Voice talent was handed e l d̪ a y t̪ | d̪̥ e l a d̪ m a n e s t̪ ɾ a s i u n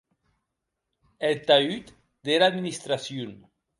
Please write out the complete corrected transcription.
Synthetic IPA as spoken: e l t̪ a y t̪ | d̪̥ e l a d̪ m i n i s t̪ ɾ a s j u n